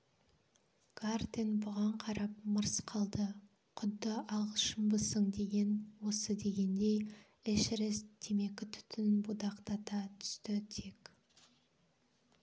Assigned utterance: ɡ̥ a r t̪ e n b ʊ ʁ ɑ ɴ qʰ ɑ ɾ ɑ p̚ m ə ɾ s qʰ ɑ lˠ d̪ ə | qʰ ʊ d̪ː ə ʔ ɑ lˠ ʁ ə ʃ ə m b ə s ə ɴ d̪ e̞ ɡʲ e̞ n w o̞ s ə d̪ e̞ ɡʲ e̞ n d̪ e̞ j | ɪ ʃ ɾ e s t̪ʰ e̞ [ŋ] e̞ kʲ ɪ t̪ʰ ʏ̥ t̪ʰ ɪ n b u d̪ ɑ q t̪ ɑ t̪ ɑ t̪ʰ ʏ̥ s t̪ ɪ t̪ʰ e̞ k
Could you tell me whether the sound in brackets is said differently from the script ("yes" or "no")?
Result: yes